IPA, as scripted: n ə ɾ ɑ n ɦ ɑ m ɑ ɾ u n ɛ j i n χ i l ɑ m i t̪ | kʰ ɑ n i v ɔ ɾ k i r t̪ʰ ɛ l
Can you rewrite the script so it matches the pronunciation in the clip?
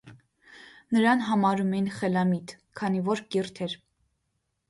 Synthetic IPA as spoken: n ə ɾ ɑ n ɦ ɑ m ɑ ɾ u m ɛ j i n χ ɛ l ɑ m i t̪ | kʰ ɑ n i v ɔ ɾ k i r t̪ʰ ɛ ɾ